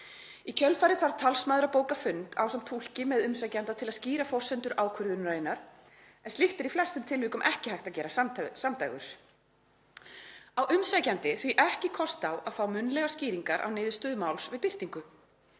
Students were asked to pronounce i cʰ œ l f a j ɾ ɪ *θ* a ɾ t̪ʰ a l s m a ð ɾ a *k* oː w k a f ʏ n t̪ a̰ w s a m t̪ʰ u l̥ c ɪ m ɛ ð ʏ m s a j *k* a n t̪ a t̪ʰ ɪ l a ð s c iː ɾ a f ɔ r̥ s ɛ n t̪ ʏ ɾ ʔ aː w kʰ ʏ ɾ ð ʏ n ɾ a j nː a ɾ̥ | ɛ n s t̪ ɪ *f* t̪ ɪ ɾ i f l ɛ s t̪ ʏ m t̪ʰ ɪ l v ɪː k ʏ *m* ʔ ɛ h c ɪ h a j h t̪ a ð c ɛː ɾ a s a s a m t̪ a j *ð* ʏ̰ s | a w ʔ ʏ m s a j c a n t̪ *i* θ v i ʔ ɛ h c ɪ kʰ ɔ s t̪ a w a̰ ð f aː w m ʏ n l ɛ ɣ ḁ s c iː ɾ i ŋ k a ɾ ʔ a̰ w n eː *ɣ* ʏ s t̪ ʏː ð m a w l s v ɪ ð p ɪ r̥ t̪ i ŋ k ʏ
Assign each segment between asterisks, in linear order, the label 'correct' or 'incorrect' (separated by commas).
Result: correct, incorrect, incorrect, incorrect, correct, incorrect, incorrect, incorrect